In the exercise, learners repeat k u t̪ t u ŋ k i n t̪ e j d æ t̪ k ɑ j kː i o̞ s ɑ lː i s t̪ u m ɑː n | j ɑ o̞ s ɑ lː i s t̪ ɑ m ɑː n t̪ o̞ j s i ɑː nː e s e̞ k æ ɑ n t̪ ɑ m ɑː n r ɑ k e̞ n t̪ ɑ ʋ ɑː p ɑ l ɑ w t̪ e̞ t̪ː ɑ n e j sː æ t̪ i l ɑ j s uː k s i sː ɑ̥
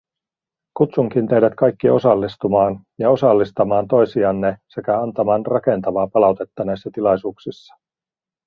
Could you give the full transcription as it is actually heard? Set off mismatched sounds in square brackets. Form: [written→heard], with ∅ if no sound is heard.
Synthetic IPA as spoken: k u t̪ [t→s] u ŋ k i n t̪ e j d æ t̪ k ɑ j kː i o̞ s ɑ lː i s t̪ u m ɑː n | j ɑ o̞ s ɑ lː i s t̪ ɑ m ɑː n t̪ o̞ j s i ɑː nː e s e̞ k æ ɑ n t̪ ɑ m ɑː n r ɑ k e̞ n t̪ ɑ ʋ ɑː p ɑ l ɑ w t̪ e̞ t̪ː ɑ n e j sː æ t̪ i l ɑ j s uː k s i sː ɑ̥